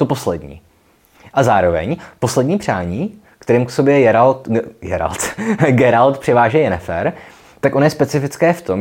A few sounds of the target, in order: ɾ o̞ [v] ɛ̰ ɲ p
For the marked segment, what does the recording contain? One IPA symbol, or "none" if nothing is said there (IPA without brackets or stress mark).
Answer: v